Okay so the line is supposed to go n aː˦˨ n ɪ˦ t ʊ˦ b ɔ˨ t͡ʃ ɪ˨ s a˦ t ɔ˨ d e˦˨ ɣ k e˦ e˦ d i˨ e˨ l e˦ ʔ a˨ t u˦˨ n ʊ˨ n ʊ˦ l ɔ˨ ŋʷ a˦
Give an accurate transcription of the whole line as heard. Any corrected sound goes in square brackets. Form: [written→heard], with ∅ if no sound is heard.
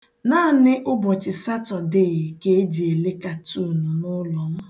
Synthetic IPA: n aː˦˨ n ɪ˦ [t→ʔ] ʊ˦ b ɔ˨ t͡ʃ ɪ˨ s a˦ t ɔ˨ d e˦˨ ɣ k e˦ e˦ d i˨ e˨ l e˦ [ʔ→k] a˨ t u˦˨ n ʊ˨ n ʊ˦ l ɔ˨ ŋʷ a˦